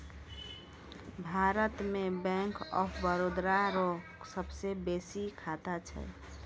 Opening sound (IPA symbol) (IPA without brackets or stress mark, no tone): bʱ